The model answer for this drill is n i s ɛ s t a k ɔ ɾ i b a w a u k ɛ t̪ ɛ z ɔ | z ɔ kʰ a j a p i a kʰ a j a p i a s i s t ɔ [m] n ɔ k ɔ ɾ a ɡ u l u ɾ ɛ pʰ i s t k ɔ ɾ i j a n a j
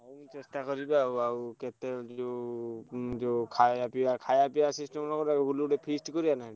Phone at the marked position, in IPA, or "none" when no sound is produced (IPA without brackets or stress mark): m